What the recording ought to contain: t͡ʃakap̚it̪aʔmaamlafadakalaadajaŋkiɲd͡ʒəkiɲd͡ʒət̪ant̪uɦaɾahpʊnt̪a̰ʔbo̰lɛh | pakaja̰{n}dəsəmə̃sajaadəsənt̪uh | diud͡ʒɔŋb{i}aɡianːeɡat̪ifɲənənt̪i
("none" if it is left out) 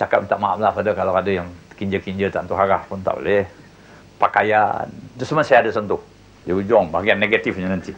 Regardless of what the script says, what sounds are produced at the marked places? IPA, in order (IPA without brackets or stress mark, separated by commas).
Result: n, a